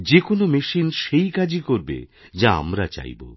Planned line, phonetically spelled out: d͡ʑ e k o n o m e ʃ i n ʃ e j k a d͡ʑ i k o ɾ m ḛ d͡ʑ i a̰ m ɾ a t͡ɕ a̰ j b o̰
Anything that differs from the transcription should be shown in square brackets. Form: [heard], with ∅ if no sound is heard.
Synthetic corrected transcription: d͡ʑ e k o n o m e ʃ i n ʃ e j k a d͡ʑ i k o ɾ [b] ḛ d͡ʑ [a] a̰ m ɾ a t͡ɕ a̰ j b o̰